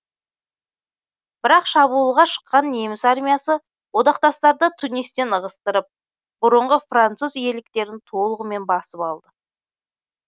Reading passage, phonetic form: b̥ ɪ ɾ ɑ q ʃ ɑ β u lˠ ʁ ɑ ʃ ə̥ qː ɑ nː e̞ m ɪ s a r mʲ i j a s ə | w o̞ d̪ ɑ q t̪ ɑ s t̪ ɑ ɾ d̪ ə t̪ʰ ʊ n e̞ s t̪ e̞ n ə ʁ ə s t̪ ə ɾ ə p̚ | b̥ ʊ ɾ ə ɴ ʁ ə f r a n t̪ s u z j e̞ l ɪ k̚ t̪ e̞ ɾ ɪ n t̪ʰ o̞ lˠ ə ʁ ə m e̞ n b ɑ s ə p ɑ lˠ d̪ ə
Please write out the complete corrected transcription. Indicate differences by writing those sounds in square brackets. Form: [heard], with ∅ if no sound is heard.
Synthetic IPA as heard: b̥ ɪ ɾ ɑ q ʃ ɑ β u lˠ ʁ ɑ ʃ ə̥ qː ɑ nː e̞ m ɪ s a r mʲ i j a s ə | w o̞ d̪ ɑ q t̪ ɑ s t̪ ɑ ɾ d̪ ə t̪ʰ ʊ n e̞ s t̪ e̞ n ə ʁ ə s t̪ ə ɾ ə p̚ | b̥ ʊ ɾ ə ɴ ʁ ə f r a n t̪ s u z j e̞ l ɪ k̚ t̪ e̞ ɾ ɪ n t̪ʰ o̞ lˠ ə ʁ ə m e̞ n b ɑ s ə p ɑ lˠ d̪ ə